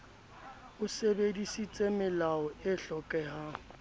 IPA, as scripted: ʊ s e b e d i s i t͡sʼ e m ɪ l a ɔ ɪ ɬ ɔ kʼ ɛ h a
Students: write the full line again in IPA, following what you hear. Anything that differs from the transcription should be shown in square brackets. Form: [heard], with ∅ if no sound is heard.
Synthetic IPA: ʊ s e b e d i s i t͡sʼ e m ɪ l a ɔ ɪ ɬ ɔ kʼ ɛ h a